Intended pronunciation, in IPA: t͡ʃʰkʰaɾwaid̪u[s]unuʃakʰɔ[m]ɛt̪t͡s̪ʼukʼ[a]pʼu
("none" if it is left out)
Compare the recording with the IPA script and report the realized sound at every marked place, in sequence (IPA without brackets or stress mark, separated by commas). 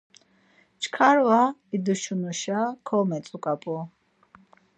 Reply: ʃ, m, a